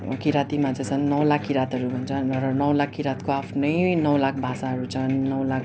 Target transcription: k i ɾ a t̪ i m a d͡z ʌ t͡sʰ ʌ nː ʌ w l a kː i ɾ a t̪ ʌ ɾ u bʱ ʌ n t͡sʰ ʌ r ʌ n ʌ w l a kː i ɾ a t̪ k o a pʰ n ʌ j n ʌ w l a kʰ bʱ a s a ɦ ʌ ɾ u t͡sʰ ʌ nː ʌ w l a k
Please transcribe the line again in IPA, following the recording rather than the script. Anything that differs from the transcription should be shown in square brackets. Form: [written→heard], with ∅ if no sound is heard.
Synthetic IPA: k i ɾ a t̪ i m a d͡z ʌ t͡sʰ ʌ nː ʌ w l a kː i ɾ a t̪ ʌ ɾ u bʱ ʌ n t͡sʰ ʌ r ʌ n ʌ w l a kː i ɾ a t̪ k o a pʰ n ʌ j n ʌ w l a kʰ bʱ a s a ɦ ʌ ɾ u t͡sʰ ʌ nː ʌ w l a k